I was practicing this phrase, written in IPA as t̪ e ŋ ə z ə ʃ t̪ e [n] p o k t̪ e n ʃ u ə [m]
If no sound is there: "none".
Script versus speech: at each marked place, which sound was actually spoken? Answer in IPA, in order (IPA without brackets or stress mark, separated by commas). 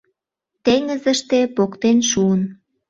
none, n